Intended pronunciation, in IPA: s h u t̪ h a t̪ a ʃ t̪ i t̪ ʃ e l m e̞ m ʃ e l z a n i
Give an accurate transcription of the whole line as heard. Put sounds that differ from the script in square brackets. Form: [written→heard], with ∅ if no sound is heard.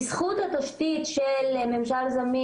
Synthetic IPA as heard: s [h→χ] u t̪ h a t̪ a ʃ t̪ i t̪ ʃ e l m e̞ m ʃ [e→a] l z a [n→m] i